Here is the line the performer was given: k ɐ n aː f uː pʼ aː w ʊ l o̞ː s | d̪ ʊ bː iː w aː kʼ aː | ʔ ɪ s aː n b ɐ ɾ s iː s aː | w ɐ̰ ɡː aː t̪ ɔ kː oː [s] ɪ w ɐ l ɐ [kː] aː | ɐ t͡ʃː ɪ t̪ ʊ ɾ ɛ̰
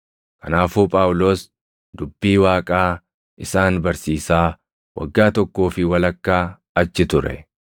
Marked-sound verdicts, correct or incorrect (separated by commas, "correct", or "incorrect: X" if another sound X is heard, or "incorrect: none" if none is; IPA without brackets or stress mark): incorrect: f, correct